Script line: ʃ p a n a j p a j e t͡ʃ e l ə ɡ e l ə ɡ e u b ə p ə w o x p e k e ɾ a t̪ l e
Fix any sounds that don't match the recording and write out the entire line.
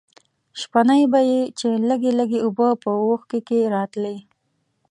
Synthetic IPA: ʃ p a n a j b a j e t͡ʃ e l ə ɡ e l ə ɡ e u b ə p ə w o x k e k e ɾ ɑ t̪ l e